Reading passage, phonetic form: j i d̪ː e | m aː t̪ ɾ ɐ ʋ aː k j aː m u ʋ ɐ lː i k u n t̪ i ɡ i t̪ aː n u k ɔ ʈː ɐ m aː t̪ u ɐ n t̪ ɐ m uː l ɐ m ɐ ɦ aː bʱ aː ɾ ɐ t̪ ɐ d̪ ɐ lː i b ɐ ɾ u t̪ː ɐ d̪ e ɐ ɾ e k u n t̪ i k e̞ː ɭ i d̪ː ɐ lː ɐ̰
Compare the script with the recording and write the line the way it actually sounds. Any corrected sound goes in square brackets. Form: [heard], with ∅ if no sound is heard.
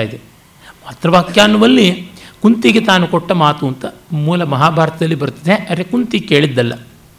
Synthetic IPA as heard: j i [d̪] e | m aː t̪ ɾ ɐ ʋ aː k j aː [n] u ʋ ɐ lː i k u n t̪ i ɡ [e] t̪ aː n u k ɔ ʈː ɐ m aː t̪ u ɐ n t̪ ɐ m uː l ɐ m ɐ ɦ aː bʱ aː ɾ ɐ t̪ ɐ d̪ ɐ lː i b ɐ ɾ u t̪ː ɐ d̪ e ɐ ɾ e k u n t̪ i k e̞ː ɭ i d̪ː ɐ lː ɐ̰